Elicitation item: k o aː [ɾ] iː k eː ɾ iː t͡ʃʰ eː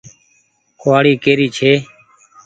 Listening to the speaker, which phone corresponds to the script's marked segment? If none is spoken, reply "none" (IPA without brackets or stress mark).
ɽ